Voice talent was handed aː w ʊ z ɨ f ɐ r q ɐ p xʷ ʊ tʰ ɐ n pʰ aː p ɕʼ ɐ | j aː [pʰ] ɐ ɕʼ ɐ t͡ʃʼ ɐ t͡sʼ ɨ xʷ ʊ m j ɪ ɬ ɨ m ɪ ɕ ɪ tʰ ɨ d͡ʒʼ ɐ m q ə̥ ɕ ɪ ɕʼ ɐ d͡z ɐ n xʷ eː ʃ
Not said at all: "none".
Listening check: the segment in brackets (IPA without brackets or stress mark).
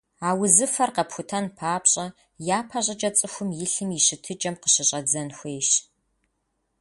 pʰ